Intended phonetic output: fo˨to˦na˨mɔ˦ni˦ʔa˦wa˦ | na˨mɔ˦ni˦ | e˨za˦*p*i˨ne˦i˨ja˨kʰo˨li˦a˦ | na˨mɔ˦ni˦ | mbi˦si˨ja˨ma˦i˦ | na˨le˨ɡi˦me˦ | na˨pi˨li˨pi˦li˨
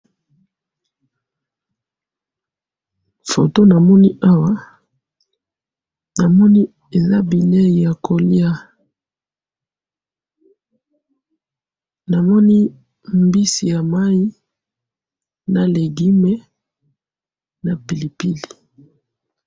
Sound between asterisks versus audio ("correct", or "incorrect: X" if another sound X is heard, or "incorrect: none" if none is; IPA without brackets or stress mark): incorrect: b